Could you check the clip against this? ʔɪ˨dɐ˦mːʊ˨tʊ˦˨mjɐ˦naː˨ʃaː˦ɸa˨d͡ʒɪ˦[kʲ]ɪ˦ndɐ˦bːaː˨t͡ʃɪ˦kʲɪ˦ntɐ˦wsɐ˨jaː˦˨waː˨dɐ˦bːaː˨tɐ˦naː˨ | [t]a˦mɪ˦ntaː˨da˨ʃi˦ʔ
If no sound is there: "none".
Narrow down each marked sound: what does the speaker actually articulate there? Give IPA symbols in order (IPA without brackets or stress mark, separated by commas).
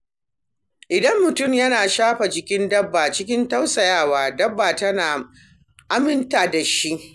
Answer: kʲ, ʔ